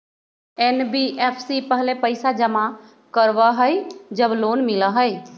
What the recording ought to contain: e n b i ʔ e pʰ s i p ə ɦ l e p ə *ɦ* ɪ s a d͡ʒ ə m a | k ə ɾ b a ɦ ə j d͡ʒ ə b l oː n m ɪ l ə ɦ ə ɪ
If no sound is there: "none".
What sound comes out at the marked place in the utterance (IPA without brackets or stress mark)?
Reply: none